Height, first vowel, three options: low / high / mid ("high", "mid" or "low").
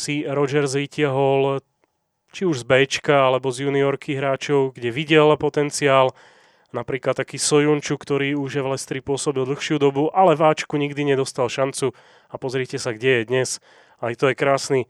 high